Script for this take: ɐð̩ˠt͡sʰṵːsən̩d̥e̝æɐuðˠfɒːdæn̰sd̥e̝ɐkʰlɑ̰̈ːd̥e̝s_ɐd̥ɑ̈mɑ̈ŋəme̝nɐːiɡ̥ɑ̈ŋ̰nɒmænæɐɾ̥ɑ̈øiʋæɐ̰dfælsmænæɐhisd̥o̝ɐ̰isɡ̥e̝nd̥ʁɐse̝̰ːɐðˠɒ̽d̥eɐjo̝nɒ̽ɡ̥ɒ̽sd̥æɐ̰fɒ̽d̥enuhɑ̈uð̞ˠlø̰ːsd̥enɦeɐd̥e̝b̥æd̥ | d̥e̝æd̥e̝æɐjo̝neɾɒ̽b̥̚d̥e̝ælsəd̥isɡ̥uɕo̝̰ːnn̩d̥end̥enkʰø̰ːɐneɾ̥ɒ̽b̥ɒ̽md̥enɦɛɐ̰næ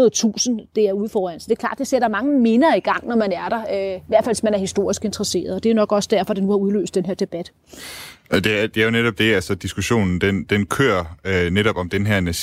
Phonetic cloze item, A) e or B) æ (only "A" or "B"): A